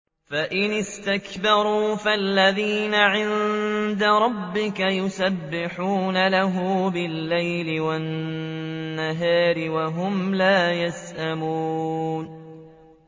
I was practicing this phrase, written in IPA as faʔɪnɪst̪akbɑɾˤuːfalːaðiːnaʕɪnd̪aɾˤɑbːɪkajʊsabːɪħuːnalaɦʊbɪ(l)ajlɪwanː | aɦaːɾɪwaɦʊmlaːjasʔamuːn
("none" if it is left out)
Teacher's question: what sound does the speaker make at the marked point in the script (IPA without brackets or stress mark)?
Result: lː